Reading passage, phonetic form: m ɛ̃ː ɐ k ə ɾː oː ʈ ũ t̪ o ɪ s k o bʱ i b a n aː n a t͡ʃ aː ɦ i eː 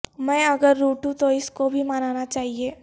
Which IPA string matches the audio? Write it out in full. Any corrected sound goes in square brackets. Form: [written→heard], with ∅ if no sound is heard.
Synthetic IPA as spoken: m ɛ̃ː ɐ [k→ɡ] ə ɾː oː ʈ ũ t̪ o ɪ s k o bʱ i [b→m] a n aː n a t͡ʃ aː ɦ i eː